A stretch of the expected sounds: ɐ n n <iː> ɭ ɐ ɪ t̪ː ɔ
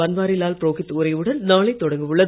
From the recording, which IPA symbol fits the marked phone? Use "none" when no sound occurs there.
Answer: aː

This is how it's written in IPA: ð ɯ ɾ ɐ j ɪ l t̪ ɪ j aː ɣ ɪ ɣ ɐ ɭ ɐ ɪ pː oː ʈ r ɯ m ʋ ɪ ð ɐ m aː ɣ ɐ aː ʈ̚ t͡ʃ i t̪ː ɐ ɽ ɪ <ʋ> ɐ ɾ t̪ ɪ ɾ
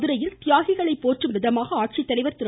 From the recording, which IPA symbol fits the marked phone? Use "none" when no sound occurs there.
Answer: ʋ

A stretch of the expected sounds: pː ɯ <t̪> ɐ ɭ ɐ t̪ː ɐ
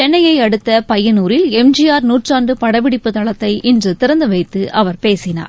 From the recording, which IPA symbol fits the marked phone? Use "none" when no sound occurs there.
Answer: t̪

